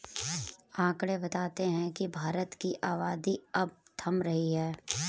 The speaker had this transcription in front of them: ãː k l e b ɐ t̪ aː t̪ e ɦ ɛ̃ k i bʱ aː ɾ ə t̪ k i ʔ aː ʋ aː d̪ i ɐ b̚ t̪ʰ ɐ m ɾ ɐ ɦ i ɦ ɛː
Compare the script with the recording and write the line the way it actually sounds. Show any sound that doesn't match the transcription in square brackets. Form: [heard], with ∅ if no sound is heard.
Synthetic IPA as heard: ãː k [ɽ] e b ɐ t̪ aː t̪ e ɦ ɛ̃ k i bʱ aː ɾ ə t̪ k i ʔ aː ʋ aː d̪ i ɐ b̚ t̪ʰ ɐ m ɾ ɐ ɦ i ɦ ɛː